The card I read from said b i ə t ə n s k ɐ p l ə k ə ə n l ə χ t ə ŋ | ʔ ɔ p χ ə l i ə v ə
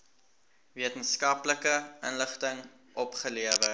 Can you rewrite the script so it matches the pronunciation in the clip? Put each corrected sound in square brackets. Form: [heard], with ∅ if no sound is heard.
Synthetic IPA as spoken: [v] i ə t ə n s k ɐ p l ə k ə ə n l ə χ t ə ŋ | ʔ ɔ p χ ə l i ə v ə